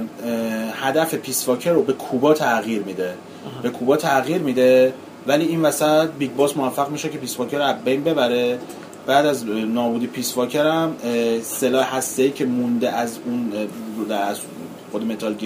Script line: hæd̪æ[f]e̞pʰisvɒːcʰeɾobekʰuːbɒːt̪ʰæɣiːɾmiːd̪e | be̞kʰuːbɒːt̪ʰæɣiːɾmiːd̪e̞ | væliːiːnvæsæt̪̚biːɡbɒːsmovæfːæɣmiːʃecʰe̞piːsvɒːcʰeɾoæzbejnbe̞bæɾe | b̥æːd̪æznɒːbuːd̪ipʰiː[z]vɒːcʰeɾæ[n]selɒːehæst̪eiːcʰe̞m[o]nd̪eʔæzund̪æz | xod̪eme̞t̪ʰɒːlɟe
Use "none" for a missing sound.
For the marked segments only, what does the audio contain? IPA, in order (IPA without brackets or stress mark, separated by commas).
f, s, m, u